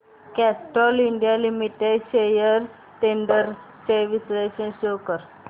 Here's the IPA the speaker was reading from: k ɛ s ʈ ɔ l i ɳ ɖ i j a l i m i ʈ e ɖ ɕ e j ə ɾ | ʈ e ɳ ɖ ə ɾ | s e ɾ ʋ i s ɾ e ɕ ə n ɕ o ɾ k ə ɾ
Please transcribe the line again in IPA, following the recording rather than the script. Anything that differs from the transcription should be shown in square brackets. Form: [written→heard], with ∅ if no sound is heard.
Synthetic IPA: k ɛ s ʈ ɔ l i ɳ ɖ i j a l i m i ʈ e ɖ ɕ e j ə ɾ | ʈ e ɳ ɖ ə ɾ | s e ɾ ʋ i s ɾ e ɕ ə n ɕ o [ɾ→∅] k ə ɾ